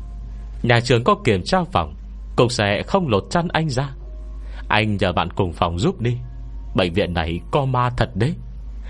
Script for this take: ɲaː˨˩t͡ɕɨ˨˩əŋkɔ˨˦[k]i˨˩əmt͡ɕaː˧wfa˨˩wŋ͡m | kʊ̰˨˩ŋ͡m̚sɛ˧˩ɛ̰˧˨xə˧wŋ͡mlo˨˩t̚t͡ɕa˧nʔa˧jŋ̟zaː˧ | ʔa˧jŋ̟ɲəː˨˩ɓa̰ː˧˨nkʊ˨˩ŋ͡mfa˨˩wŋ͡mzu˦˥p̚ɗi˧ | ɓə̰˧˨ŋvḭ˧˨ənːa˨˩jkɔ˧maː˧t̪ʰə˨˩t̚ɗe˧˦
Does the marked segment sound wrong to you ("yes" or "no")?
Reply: no